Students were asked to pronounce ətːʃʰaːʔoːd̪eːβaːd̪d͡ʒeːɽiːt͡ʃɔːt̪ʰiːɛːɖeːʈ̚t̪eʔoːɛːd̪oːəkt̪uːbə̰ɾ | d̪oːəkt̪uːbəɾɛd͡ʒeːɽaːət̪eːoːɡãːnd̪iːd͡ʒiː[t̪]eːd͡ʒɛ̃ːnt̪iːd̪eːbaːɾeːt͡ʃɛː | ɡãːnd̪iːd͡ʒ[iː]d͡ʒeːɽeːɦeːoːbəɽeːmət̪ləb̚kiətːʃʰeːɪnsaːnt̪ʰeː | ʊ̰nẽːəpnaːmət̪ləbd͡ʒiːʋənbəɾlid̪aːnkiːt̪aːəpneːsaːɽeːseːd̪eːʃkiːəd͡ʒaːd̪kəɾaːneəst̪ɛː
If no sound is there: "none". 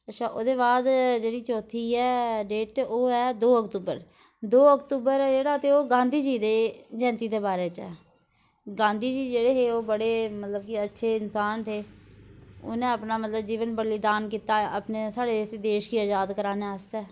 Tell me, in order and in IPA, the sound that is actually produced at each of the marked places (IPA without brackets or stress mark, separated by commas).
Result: d̪, iː